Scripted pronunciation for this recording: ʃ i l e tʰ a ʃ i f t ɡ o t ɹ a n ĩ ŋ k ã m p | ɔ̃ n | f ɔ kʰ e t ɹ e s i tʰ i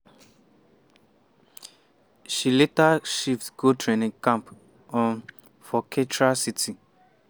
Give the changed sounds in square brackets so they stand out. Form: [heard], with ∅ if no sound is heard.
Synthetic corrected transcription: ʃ i l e [t] a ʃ i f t ɡ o t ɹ [e] n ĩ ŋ k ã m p | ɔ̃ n | f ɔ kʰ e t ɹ [a] s i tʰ i